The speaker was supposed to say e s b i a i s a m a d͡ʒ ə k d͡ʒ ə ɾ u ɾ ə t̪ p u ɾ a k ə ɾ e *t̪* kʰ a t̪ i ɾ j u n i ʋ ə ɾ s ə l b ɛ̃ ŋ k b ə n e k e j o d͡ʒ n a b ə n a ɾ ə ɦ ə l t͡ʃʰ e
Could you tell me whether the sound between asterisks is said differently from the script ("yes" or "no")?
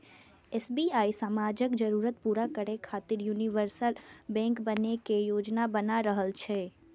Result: yes